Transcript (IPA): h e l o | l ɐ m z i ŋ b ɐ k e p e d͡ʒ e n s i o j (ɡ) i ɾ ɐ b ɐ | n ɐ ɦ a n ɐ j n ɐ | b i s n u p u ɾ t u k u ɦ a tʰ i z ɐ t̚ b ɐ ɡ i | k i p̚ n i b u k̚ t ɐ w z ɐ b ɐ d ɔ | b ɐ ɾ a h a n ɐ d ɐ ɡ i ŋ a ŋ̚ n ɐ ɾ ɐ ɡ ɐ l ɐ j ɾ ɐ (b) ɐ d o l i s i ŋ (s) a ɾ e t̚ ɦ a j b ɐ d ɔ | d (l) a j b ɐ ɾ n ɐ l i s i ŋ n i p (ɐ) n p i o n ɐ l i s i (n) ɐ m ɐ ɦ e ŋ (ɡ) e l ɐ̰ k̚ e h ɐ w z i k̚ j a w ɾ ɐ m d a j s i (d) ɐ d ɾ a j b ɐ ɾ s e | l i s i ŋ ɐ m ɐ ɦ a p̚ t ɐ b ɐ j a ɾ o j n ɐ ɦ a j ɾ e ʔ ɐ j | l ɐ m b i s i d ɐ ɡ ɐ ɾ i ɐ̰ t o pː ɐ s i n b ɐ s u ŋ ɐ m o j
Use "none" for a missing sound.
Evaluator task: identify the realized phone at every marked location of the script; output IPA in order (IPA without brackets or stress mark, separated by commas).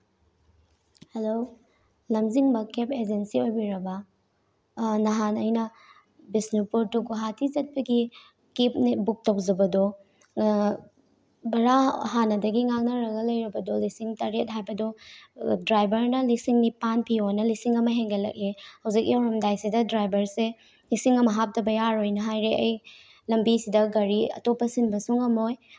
b, b, t, ɾ, a, ŋ, ɡ, d